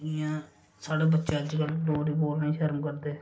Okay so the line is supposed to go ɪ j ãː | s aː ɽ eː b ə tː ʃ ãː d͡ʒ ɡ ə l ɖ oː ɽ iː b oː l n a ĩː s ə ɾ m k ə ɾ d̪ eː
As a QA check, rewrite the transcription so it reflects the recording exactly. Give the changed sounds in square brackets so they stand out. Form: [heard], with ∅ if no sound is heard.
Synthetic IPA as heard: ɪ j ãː | s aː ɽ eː b ə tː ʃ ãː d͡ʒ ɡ ə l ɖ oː [ɾ] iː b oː l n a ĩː [ʃ] ə ɾ m k ə ɾ d̪ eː